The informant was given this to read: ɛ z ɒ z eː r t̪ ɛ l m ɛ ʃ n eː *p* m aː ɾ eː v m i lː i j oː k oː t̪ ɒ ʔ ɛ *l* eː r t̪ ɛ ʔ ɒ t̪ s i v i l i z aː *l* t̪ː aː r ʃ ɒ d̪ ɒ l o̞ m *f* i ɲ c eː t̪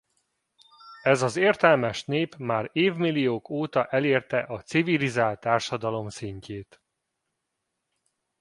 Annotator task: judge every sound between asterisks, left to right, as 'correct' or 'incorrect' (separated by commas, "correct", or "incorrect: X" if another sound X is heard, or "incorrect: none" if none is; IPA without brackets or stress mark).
correct, correct, correct, incorrect: s